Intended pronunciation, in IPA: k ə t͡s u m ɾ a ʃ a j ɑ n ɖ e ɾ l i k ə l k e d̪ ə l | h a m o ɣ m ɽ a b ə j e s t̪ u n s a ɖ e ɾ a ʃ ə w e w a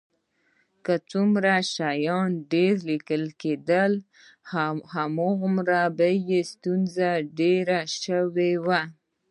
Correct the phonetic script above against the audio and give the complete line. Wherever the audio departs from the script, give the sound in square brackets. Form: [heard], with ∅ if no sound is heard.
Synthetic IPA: k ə t͡s u m ɾ a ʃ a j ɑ n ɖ e ɾ l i k ə l k e d̪ ə l | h a m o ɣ m [ɾ] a b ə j e s t̪ u n [z] a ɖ e ɾ a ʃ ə w e w a